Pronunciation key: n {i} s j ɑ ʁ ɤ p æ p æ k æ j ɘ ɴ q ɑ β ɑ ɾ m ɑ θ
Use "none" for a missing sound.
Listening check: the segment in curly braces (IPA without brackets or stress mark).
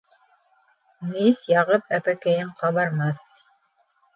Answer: i